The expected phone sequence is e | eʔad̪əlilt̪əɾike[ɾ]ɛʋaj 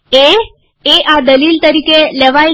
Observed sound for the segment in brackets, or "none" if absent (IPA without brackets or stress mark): l